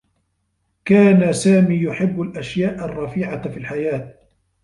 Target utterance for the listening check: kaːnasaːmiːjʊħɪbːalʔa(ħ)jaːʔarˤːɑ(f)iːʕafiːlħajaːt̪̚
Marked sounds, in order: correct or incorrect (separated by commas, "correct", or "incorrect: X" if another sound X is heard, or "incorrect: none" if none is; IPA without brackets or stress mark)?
incorrect: ʃ, correct